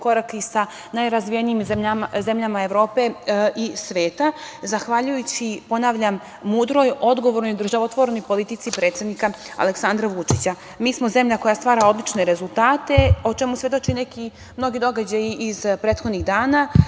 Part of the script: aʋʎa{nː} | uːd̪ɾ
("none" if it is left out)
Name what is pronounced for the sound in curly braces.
mː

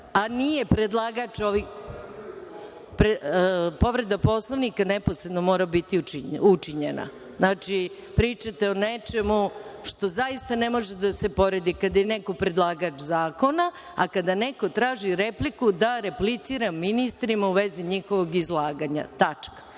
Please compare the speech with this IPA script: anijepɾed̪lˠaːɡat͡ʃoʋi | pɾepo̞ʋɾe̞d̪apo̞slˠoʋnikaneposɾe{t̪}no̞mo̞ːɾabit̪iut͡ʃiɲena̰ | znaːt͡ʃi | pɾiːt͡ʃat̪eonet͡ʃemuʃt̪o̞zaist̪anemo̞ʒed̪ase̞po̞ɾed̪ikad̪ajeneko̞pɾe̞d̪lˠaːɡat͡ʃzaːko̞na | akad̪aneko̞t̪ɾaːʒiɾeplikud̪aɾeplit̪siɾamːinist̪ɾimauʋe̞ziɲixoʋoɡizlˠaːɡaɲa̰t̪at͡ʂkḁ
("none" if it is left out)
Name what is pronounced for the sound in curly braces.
d̪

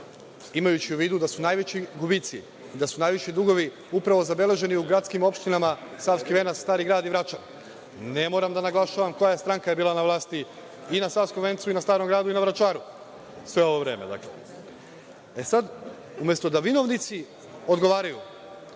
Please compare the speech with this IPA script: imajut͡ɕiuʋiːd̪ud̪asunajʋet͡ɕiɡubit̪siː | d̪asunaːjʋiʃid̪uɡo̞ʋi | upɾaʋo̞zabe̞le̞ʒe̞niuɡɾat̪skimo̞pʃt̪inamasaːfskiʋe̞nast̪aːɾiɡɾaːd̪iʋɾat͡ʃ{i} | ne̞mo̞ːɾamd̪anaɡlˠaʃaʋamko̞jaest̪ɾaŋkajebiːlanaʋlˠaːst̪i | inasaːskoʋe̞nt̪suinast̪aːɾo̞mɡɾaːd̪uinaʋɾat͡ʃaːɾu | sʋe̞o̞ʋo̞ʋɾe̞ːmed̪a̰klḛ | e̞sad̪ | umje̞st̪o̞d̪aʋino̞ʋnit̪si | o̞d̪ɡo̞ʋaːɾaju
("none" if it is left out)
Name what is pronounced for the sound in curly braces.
a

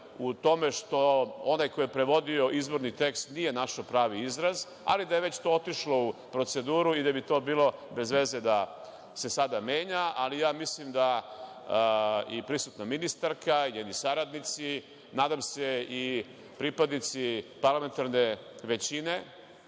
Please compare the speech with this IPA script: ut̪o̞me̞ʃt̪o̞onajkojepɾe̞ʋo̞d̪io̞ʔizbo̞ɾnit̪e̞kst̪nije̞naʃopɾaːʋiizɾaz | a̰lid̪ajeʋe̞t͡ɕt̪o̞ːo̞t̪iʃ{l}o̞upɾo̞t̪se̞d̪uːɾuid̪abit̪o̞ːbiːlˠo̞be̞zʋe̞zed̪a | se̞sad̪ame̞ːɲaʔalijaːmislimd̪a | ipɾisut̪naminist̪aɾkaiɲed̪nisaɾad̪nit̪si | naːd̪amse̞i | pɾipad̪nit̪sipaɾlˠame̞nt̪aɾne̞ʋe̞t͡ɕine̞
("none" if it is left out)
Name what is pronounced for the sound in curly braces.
l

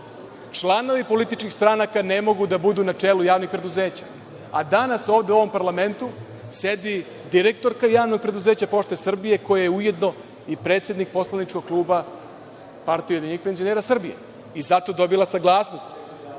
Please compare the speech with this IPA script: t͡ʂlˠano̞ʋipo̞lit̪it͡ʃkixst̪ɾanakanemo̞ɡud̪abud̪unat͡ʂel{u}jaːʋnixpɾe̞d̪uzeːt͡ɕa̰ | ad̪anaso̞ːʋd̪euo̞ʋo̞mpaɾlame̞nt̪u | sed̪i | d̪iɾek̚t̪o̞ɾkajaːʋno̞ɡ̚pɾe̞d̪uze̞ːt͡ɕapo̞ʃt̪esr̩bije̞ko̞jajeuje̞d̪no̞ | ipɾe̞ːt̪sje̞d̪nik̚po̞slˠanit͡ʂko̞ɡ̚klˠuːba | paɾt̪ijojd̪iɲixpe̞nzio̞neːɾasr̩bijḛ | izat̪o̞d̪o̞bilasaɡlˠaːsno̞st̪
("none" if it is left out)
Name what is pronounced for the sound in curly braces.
u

